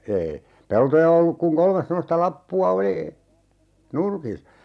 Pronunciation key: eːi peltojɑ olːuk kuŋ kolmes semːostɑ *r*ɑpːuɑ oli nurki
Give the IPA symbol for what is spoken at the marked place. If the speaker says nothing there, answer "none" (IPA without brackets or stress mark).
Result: l